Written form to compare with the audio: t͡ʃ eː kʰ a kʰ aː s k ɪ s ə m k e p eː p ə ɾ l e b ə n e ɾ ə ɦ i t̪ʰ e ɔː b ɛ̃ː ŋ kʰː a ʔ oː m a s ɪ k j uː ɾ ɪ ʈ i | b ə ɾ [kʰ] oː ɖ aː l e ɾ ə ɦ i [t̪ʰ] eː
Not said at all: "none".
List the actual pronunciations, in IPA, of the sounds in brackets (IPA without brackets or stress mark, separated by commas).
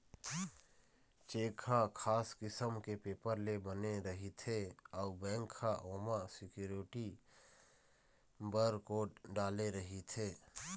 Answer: k, t̪ʰ